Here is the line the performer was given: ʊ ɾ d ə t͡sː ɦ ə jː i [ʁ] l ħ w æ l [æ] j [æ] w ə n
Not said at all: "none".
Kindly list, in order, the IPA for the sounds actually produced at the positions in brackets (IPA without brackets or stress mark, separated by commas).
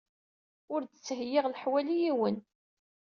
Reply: ʁ, i, i